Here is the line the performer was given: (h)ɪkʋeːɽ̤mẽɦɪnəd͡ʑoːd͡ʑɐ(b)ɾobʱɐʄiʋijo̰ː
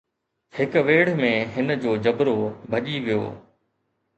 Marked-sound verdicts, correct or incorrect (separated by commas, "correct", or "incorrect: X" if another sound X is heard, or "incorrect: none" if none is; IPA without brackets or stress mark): correct, correct